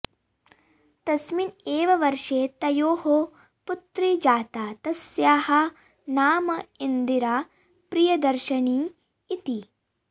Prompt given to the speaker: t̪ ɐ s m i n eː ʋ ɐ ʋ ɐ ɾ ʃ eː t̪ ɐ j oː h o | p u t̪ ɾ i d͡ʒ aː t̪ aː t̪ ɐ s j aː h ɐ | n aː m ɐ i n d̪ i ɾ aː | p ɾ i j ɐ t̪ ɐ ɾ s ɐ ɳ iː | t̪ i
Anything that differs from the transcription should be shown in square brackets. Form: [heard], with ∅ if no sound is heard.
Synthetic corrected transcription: t̪ ɐ s m i n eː ʋ ɐ ʋ ɐ ɾ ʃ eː t̪ ɐ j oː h o | p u t̪ ɾ i d͡ʒ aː t̪ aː t̪ ɐ s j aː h ɐ | n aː m ɐ i n d̪ i ɾ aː | p ɾ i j ɐ [d̪] ɐ ɾ [ʃ] ɐ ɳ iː | t̪ i